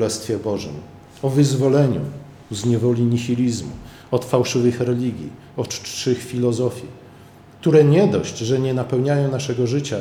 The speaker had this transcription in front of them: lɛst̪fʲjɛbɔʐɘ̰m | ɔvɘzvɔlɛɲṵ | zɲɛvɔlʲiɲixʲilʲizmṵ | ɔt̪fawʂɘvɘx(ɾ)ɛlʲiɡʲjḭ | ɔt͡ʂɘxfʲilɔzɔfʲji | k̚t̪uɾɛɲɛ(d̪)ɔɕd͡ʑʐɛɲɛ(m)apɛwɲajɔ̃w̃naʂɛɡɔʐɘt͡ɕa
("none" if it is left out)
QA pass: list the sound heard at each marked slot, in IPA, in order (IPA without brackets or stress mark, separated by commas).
ɾ, d̪, n